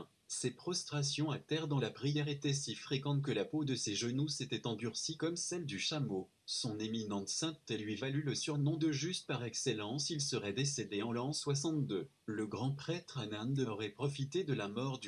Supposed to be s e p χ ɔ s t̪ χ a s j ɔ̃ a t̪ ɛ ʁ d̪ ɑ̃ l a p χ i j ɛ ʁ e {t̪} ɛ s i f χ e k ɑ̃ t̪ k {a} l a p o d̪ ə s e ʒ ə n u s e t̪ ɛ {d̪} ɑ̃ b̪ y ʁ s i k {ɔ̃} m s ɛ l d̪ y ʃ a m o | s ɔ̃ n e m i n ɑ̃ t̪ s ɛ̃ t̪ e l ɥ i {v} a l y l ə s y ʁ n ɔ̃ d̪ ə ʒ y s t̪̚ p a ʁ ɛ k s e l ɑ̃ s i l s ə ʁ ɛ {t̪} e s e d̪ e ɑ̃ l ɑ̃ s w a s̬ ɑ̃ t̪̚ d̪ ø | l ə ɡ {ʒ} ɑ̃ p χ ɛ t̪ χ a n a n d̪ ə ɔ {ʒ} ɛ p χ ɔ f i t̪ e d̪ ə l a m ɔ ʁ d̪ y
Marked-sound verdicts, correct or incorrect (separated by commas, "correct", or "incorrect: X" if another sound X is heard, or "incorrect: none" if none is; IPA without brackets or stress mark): correct, incorrect: ə, incorrect: t̪, incorrect: ɔ, correct, incorrect: d̪, incorrect: ʁ, incorrect: ʁ